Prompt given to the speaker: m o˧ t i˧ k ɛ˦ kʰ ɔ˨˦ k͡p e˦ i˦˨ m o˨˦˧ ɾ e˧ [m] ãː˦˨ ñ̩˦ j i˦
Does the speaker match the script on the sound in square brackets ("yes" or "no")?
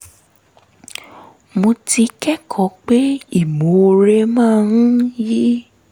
yes